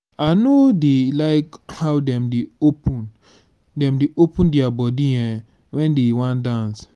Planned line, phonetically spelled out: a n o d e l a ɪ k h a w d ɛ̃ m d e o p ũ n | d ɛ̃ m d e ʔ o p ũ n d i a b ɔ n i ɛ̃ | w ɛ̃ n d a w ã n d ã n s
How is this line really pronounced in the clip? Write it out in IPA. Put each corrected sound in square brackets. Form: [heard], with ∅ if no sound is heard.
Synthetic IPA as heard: a n o d e l a ɪ k h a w d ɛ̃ m d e o p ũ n | d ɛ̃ m d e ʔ o p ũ n d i a b ɔ [d] i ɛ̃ | w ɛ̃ n d [e] w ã n d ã n s